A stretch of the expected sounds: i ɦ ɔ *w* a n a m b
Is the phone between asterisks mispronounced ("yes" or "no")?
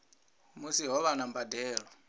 yes